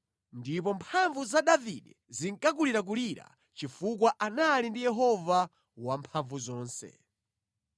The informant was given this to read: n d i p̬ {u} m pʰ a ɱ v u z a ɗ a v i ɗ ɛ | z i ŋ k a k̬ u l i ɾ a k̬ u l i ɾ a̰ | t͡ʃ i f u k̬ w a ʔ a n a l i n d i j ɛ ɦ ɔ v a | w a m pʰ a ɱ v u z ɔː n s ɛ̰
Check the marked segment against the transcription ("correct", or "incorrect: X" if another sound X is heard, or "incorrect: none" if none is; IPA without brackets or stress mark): incorrect: ɔ